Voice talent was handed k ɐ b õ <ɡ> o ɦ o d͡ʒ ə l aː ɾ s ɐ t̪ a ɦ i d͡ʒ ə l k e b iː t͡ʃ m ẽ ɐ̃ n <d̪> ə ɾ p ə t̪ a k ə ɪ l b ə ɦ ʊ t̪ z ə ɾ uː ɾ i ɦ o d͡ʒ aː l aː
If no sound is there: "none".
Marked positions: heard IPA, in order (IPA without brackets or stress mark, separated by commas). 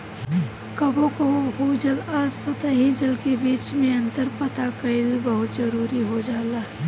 k, t̪